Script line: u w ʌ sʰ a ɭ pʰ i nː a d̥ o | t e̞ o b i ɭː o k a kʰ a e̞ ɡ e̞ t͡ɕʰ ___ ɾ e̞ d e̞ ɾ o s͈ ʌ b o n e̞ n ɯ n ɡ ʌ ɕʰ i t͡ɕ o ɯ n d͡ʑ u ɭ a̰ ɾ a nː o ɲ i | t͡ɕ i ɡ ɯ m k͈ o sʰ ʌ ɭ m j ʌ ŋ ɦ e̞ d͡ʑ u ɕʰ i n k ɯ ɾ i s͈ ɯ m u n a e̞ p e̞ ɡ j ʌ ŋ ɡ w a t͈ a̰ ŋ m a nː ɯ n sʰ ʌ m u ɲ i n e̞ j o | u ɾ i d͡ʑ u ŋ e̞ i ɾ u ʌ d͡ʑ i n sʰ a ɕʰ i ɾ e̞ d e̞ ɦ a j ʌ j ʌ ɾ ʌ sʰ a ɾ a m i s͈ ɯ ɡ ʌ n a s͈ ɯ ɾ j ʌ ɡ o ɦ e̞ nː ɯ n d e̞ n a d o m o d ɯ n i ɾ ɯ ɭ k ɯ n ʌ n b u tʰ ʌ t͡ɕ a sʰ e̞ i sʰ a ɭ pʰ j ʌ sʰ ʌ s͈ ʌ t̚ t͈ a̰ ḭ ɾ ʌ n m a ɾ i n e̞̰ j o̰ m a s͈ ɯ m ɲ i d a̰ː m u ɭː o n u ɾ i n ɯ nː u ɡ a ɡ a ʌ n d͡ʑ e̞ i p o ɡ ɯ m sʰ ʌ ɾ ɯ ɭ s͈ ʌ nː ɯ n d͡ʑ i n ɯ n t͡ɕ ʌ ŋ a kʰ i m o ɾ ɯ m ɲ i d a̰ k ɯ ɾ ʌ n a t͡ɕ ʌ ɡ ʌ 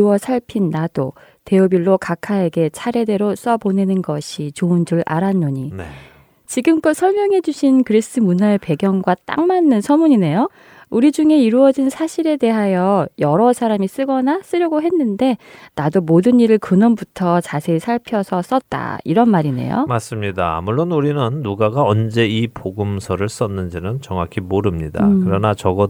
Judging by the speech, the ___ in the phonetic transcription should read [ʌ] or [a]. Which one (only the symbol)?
a